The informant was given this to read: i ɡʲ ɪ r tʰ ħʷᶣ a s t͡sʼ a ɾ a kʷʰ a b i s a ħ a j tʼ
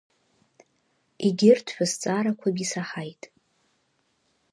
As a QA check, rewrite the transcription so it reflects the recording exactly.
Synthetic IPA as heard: i ɡʲ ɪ r tʰ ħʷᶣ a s t͡sʼ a ɾ a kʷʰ a b i s a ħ a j tʼ